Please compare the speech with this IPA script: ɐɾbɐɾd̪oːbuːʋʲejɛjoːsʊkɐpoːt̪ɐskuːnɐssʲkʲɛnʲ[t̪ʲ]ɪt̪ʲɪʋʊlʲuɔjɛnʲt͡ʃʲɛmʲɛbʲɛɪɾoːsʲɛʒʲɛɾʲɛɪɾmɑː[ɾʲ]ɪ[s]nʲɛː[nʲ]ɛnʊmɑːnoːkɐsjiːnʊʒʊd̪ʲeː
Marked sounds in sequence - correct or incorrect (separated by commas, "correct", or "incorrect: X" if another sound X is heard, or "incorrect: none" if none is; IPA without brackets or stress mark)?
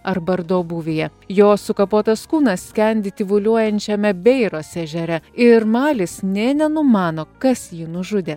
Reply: incorrect: d̪ʲ, incorrect: lʲ, correct, correct